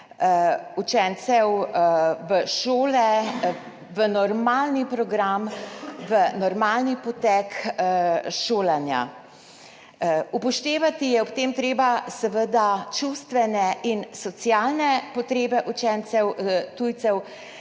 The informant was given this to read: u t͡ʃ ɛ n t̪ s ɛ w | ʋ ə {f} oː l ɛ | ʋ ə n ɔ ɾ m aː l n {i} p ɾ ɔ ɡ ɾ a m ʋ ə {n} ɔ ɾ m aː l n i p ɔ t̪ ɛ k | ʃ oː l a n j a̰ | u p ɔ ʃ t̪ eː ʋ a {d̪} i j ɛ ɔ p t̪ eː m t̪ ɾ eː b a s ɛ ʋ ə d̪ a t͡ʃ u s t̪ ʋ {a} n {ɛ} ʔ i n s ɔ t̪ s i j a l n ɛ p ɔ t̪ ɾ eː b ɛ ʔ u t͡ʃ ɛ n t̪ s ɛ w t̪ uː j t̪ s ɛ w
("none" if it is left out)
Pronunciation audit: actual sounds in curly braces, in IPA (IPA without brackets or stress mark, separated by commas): ʃ, i, n, t̪, ɛ, ɛ